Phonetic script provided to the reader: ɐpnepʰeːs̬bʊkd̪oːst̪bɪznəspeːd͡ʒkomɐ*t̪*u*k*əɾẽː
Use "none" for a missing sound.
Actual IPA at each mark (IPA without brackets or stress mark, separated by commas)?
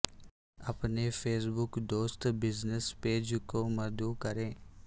d̪, k